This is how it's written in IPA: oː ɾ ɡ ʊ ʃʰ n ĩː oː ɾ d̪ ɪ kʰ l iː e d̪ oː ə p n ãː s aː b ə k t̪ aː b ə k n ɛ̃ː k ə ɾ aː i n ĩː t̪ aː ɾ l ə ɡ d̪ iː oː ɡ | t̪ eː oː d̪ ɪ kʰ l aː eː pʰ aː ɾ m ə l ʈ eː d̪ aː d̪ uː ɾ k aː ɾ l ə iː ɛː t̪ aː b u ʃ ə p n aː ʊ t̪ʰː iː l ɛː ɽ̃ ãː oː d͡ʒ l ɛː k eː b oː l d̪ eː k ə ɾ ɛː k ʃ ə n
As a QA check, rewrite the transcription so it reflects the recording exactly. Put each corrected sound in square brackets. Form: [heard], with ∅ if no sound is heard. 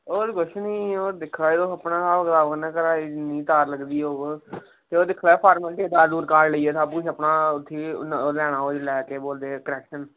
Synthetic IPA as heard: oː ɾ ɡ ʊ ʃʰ n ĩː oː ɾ d̪ ɪ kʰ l [aː] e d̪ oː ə p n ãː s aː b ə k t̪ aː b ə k n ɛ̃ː k ə ɾ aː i n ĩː t̪ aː ɾ l ə ɡ d̪ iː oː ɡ | t̪ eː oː d̪ ɪ kʰ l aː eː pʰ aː ɾ m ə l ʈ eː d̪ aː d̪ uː ɾ k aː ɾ l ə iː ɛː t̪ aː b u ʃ ə p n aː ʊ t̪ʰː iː l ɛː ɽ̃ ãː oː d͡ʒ l ɛː k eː b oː l d̪ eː k ə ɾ ɛː k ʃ ə n